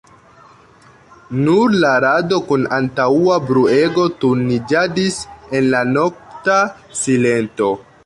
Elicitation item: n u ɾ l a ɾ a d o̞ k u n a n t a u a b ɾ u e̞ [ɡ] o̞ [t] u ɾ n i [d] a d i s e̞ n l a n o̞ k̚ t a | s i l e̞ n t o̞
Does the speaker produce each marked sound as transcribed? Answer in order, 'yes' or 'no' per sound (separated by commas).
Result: yes, yes, no